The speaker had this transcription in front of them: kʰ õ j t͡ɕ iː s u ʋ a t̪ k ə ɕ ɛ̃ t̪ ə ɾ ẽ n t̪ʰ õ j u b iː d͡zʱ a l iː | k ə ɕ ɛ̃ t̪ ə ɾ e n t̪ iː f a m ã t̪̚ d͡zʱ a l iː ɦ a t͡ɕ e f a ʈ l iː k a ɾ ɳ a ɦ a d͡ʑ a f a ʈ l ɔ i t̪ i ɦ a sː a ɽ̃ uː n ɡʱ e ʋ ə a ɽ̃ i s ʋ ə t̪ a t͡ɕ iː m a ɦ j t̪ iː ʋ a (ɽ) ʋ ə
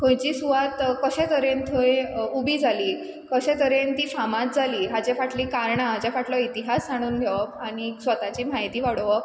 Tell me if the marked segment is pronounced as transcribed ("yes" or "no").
yes